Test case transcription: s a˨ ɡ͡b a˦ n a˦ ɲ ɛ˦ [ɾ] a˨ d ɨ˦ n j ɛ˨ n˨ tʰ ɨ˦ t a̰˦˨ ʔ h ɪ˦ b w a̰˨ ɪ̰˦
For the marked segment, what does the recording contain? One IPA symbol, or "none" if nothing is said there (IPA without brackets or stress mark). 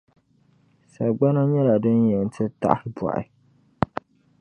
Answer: l